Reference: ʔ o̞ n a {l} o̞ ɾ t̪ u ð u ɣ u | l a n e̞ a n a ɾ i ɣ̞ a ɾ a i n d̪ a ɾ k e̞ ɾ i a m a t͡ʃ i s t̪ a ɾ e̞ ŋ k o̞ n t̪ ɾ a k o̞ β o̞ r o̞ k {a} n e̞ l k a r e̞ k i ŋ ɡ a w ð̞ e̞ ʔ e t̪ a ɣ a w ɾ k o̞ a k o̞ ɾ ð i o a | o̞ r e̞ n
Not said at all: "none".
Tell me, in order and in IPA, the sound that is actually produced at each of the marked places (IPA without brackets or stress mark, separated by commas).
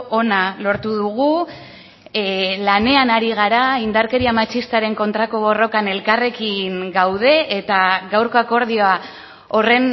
l, a